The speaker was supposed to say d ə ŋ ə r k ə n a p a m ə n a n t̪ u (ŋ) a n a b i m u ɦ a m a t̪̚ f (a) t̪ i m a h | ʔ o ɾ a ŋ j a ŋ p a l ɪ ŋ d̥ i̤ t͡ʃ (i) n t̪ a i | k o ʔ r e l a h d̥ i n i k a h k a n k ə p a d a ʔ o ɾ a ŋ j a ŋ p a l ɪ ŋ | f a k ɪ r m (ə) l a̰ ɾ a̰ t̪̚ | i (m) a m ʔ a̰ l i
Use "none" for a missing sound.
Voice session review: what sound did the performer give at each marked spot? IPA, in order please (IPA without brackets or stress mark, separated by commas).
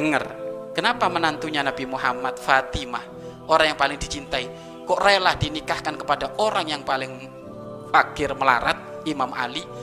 ɲ, a, i, ə, m